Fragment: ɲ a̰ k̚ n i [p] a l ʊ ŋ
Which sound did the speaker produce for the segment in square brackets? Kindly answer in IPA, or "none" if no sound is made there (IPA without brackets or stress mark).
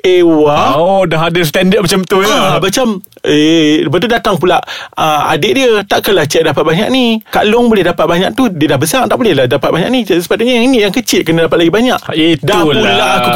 k